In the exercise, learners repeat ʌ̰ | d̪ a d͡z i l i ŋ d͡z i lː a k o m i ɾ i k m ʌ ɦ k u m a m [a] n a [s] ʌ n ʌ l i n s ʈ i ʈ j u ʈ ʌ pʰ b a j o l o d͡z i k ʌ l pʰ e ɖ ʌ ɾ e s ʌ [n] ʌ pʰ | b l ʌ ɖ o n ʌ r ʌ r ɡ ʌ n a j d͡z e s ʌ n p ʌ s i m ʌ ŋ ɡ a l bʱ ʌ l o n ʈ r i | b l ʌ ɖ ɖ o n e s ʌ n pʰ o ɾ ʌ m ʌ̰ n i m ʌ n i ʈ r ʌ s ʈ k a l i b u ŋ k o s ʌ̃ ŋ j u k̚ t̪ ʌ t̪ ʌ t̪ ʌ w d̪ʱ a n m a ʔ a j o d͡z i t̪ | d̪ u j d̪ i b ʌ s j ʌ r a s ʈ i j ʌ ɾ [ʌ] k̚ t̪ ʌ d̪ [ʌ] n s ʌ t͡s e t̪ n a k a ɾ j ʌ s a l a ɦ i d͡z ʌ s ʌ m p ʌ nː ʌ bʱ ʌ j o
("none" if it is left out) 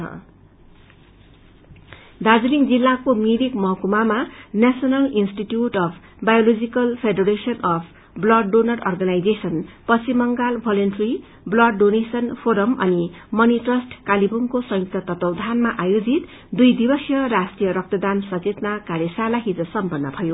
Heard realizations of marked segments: a, s, n, ʌ, a

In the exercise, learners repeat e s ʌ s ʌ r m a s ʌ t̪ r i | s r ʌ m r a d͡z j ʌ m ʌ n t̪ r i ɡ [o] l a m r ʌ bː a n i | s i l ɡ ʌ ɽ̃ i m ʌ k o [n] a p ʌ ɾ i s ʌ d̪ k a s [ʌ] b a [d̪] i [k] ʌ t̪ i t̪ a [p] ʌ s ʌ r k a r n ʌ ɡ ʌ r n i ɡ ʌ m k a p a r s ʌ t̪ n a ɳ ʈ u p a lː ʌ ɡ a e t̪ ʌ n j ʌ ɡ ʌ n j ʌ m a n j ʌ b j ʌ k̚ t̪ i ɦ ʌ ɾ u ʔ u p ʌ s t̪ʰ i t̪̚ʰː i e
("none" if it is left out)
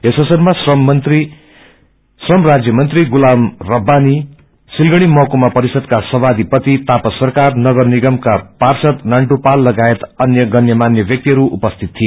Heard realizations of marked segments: u, m, ʌ, d̪, p, p

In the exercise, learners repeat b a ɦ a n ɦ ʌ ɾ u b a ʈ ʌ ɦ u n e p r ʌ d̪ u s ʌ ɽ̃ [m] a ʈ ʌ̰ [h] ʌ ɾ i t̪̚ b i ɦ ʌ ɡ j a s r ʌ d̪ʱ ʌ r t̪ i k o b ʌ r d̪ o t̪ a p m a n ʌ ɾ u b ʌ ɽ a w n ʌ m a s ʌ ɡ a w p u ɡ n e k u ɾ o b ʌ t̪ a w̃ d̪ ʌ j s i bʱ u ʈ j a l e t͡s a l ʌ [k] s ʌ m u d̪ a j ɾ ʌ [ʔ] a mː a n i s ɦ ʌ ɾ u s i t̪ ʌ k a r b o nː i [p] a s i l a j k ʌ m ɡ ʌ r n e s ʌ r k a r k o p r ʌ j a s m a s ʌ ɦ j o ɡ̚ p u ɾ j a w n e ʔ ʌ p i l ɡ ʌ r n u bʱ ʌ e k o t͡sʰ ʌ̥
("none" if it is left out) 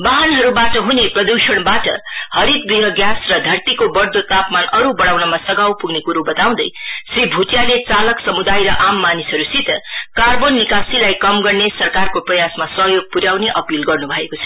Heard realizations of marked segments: b, h, k, ʔ, k

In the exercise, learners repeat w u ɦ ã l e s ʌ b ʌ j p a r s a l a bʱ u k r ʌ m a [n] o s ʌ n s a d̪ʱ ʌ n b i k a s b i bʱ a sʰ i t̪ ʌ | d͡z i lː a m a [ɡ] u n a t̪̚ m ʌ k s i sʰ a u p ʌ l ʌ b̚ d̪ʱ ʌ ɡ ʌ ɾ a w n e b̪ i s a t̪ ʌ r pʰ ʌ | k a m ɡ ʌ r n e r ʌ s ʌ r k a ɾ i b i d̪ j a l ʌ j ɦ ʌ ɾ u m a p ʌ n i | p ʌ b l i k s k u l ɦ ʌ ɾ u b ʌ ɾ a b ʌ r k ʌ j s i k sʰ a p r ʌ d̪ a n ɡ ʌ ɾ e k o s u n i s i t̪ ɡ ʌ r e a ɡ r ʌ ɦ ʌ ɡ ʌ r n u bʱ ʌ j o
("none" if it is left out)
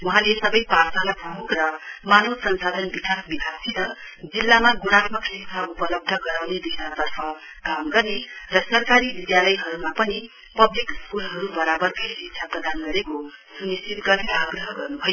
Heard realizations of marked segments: n, ɡ

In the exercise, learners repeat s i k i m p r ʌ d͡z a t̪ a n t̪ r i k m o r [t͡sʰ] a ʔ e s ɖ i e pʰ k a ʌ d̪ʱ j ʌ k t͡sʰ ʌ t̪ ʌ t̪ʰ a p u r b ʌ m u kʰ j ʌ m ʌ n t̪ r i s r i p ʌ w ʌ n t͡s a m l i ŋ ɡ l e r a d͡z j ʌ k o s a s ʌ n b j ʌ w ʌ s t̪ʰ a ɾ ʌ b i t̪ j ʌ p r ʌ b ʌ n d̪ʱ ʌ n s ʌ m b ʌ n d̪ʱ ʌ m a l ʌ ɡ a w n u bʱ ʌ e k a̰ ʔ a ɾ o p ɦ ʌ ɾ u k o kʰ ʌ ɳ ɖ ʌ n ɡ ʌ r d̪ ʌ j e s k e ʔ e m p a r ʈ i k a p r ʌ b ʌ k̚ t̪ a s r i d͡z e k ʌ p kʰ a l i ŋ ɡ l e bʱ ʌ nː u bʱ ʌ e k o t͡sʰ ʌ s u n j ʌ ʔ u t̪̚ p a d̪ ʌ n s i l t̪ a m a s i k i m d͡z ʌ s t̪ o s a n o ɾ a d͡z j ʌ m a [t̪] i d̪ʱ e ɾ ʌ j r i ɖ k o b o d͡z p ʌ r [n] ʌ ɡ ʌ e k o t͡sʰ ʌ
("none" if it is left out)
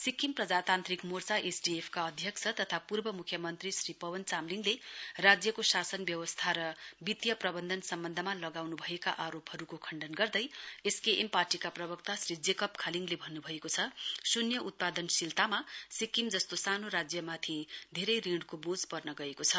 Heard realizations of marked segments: t͡s, t̪ʰ, n

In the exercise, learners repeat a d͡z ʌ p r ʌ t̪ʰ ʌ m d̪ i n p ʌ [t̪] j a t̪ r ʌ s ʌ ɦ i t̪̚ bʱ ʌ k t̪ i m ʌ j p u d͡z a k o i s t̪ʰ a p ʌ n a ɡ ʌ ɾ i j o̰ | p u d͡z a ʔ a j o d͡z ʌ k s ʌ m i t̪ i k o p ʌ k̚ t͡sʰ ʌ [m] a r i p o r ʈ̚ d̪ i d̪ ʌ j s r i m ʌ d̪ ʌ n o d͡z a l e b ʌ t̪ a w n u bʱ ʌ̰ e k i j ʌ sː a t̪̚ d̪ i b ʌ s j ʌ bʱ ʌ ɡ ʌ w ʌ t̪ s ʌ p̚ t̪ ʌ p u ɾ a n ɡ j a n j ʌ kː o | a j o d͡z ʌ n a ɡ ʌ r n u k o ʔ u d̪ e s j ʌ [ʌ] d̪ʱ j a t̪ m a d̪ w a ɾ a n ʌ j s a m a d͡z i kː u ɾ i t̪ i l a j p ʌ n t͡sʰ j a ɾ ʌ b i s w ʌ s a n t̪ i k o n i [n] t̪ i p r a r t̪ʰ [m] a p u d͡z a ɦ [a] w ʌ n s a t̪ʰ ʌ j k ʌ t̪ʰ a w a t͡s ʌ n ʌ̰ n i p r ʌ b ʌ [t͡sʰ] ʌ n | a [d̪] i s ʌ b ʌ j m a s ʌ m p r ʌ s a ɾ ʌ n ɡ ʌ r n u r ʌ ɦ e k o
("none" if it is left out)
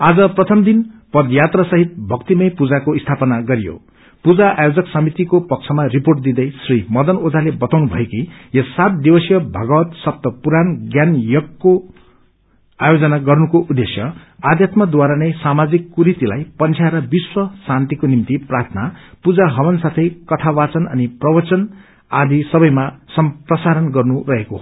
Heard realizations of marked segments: d̪, m, a, m, n, ʌ, t͡s, d̪

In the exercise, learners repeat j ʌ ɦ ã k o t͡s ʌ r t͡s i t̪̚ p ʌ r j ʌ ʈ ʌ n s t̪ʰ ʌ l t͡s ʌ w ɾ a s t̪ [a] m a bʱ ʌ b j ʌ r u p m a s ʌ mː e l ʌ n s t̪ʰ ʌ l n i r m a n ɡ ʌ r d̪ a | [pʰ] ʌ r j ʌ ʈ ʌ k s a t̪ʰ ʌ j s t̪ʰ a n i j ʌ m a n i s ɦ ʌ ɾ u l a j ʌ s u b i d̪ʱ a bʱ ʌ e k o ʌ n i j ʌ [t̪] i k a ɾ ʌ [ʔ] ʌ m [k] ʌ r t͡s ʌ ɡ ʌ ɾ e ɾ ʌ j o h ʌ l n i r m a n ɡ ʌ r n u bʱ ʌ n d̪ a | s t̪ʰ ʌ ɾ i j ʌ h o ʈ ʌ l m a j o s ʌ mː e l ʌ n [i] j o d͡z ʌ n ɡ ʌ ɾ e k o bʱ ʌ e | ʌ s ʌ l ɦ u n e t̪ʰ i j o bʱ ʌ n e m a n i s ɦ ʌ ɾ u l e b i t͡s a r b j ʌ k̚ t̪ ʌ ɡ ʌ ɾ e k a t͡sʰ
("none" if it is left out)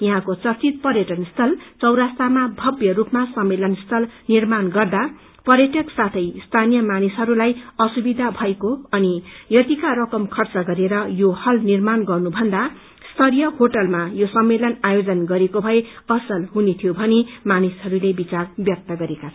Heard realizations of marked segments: a, p, t̪, k, kʰ, a

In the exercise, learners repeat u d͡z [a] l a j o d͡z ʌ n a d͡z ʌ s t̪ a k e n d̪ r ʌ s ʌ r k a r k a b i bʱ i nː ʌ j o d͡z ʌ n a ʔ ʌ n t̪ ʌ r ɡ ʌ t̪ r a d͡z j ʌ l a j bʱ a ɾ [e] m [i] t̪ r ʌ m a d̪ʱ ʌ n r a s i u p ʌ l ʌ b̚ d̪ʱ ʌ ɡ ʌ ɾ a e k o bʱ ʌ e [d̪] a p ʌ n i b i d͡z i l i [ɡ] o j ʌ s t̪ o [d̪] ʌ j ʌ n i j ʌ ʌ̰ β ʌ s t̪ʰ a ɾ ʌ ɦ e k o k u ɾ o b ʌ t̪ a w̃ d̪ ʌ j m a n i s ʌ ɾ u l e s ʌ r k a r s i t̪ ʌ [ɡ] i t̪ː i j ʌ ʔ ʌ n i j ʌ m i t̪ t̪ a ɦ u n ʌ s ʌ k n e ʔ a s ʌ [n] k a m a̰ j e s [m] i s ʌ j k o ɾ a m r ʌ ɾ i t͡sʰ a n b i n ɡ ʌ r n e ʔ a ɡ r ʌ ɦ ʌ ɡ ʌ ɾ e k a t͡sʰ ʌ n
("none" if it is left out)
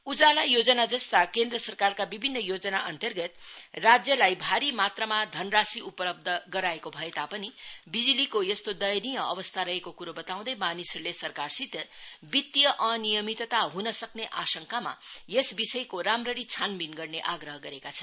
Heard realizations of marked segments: a, i, a, t̪, k, d̪, b, ŋ, b

